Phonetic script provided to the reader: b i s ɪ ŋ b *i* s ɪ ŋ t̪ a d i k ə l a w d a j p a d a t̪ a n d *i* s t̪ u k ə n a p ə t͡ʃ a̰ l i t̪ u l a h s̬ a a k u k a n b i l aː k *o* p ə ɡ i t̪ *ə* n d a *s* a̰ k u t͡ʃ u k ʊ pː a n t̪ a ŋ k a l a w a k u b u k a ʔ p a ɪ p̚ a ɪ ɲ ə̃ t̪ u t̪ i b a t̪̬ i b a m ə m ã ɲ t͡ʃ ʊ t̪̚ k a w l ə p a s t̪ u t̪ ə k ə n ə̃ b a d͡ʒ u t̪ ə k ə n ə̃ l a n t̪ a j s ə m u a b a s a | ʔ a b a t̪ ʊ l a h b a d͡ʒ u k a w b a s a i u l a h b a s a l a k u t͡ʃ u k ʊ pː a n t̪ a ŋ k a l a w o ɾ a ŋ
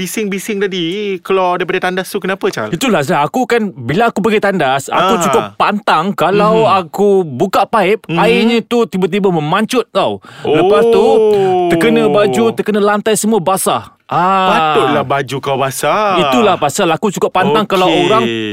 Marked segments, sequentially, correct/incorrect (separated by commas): correct, incorrect, incorrect, incorrect, correct